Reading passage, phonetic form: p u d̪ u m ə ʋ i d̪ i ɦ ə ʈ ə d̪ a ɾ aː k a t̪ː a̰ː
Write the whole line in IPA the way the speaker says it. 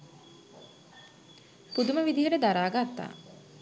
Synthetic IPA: p u d̪ u m ə ʋ i d̪ i ɦ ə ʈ ə d̪ a ɾ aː ɡ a t̪ː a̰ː